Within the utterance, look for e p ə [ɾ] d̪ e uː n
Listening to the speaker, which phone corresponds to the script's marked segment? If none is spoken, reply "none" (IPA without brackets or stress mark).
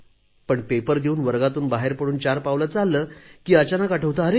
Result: ɾ